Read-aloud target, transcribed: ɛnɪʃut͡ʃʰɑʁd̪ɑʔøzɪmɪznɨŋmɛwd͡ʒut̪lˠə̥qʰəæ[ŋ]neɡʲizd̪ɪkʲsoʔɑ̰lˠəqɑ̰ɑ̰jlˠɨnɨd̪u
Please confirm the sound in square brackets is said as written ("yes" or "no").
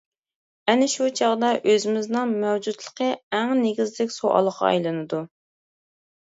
yes